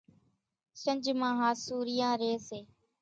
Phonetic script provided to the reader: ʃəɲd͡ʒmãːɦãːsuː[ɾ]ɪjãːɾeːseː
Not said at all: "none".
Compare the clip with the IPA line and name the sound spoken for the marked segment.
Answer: ɾ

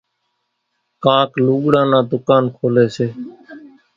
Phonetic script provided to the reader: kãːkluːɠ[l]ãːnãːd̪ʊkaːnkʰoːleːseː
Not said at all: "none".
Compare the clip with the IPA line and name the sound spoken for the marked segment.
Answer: ɽ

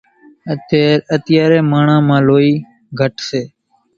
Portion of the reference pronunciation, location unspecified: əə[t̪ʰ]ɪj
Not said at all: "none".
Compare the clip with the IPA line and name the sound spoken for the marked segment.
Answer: t̪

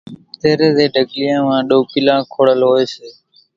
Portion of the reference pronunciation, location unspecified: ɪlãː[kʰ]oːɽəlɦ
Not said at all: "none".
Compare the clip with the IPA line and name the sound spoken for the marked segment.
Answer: kʰ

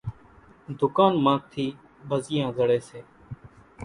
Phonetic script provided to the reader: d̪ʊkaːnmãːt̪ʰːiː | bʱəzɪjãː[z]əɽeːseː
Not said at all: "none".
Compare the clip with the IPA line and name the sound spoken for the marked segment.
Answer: z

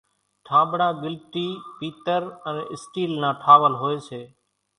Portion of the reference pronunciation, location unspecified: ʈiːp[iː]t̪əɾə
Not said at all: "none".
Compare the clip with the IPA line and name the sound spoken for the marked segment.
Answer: iː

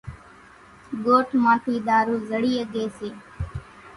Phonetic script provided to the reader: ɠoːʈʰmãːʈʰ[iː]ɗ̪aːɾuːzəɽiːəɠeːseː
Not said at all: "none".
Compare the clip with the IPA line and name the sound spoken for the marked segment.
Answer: iː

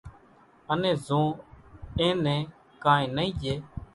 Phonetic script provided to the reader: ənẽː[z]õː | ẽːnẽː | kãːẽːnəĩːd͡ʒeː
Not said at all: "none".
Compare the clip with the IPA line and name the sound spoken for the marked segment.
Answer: z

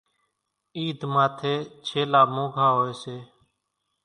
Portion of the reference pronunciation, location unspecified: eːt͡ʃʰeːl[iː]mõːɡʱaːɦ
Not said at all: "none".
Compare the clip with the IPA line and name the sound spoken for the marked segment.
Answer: aː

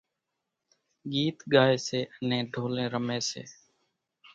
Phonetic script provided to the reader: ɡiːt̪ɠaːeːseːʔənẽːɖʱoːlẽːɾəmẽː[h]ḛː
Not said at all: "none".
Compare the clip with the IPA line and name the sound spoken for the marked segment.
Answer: s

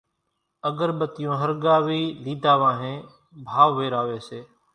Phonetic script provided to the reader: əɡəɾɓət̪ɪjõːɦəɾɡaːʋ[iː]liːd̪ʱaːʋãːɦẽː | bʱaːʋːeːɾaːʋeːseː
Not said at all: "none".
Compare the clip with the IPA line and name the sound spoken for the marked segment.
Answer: iː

